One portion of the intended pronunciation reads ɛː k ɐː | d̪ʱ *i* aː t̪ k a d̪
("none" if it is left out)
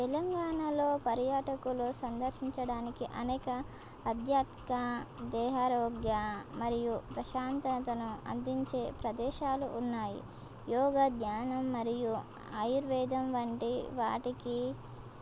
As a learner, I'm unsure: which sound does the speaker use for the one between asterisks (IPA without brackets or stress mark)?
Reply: j